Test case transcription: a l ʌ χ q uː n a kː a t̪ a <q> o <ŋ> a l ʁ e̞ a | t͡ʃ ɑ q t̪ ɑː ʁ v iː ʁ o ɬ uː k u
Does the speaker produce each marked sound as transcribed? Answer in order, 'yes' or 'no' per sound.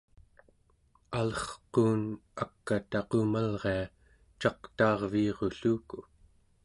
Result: yes, no

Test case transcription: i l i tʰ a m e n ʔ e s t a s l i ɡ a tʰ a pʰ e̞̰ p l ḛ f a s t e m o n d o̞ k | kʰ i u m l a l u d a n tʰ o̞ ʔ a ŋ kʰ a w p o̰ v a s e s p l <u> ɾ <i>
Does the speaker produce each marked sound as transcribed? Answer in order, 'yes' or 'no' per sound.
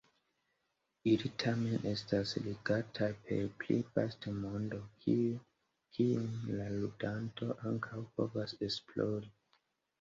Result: no, yes

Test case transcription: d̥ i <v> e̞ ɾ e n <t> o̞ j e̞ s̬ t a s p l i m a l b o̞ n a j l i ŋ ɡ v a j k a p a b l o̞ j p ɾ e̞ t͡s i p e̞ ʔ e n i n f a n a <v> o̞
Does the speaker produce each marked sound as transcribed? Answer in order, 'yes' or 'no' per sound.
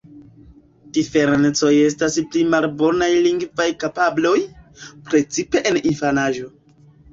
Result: no, no, no

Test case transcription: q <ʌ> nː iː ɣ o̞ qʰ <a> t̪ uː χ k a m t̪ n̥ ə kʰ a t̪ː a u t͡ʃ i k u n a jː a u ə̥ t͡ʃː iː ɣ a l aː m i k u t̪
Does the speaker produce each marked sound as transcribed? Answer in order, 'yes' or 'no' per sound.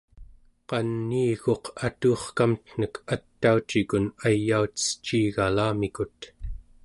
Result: no, yes

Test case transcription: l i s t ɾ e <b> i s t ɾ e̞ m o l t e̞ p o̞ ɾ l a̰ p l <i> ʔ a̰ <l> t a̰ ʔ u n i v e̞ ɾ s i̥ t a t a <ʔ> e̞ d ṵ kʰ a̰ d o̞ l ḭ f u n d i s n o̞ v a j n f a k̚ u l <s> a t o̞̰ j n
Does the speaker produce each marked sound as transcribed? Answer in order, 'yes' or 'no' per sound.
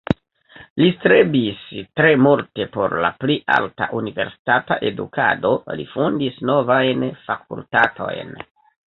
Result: yes, yes, yes, yes, no

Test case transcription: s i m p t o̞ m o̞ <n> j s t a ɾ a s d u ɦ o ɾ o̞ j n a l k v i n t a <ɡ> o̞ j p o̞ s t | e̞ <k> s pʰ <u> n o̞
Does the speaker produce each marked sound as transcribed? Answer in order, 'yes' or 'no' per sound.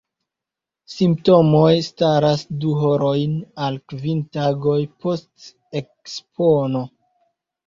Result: no, yes, yes, no

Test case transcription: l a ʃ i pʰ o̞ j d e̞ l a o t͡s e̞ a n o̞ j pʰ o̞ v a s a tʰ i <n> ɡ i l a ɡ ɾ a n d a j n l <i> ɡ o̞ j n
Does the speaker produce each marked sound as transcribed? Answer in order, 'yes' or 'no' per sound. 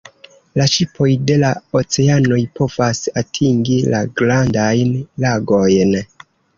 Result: no, no

